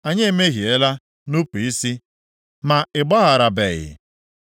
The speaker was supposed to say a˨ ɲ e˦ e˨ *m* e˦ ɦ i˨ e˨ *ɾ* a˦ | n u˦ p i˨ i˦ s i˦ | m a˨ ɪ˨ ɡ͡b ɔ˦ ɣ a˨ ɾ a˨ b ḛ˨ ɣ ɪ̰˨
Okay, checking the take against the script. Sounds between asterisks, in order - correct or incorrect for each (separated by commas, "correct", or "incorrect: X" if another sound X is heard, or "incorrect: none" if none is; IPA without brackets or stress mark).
correct, incorrect: l